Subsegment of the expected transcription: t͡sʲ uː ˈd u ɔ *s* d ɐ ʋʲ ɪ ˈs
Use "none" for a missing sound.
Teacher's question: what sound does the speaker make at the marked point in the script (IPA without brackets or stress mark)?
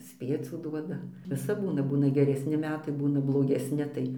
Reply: none